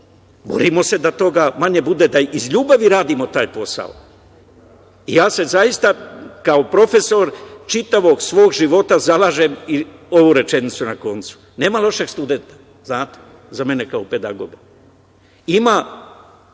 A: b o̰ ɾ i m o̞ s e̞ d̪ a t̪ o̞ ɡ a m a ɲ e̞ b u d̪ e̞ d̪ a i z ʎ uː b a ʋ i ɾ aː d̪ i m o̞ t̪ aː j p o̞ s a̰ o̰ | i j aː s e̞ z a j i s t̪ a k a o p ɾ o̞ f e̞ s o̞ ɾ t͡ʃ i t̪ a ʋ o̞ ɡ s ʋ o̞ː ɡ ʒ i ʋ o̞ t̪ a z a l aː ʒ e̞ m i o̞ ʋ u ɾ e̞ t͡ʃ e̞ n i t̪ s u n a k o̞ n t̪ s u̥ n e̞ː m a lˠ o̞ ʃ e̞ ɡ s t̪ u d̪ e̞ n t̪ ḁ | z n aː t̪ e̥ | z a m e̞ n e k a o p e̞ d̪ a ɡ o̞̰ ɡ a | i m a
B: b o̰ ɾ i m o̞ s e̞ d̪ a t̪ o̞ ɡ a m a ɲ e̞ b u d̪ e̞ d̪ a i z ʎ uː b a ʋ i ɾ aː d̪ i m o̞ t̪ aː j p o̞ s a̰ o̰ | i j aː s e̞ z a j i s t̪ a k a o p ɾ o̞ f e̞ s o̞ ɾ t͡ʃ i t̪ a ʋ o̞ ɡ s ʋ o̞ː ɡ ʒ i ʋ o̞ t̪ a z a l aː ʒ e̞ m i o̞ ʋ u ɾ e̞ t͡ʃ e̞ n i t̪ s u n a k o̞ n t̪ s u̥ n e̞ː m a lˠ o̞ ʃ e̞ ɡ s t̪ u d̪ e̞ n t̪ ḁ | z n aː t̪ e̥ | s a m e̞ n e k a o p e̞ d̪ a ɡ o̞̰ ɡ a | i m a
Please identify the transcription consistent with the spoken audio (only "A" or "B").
A